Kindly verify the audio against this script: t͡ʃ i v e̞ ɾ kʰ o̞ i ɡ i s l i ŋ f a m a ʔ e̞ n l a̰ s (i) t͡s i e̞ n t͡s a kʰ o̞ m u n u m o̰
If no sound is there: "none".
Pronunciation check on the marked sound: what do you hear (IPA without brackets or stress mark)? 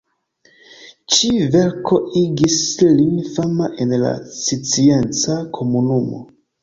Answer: i